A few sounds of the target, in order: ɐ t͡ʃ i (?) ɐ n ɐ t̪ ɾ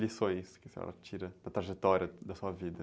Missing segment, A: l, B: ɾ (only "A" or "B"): B